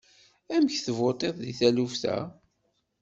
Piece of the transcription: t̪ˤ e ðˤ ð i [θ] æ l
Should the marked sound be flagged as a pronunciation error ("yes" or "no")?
no